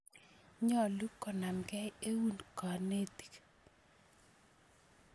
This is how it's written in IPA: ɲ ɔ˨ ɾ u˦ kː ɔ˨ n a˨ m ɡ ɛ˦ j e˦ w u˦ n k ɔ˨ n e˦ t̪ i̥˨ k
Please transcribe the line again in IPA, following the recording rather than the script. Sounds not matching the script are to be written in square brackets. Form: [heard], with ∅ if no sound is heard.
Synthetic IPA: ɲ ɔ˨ [l] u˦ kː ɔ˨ n a˨ m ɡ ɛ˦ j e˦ w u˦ n k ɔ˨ n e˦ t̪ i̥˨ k